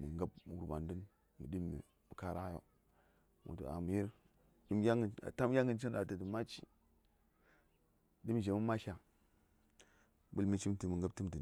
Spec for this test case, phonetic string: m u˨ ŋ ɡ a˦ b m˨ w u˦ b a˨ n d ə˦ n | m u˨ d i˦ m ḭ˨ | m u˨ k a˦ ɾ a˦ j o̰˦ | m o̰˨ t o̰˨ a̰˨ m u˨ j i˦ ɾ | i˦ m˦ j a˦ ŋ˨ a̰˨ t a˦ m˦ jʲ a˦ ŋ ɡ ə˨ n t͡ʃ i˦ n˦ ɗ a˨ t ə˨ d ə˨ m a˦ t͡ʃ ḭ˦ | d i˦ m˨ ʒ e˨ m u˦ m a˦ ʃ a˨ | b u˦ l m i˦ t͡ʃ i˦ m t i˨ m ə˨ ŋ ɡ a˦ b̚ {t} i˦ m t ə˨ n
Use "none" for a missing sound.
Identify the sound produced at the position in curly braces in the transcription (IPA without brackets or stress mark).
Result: t